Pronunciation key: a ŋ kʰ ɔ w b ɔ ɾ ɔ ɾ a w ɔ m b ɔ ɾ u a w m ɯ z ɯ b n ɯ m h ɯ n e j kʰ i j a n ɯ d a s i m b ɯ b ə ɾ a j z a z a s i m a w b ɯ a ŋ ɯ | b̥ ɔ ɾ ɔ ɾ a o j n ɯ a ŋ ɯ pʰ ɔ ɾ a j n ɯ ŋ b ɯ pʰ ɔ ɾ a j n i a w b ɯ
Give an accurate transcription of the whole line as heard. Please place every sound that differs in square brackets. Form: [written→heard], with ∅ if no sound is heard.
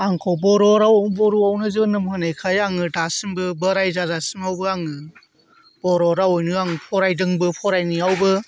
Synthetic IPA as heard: a ŋ kʰ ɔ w b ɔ ɾ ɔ ɾ a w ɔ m b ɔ ɾ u a w [m→n] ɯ z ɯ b n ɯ m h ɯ n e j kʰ [i→a] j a [n→ŋ] ɯ d a s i m b ɯ b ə ɾ a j z a z a s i m a w b ɯ a ŋ ɯ | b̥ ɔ ɾ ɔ ɾ a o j n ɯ a ŋ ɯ pʰ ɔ ɾ a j [n→d] ɯ ŋ b ɯ pʰ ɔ ɾ a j n i a w b ɯ